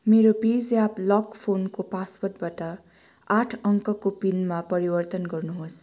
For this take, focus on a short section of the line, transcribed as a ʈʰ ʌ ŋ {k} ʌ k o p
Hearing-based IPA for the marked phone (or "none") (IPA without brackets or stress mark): k